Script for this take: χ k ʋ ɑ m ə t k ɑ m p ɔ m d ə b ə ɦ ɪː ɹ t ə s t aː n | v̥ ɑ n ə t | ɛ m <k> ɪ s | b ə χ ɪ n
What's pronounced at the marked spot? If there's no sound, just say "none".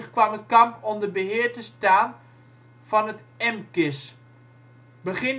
k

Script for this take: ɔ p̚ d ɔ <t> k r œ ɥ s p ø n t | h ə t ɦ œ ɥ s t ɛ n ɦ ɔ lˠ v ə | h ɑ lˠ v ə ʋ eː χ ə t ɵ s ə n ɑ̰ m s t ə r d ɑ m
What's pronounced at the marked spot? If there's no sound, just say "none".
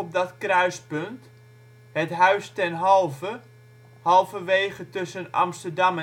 t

